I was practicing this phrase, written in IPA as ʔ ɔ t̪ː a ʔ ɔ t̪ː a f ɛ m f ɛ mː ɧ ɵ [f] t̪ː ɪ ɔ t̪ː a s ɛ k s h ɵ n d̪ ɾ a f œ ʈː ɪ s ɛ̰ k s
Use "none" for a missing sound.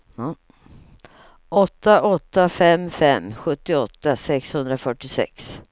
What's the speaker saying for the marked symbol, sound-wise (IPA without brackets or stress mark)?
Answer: none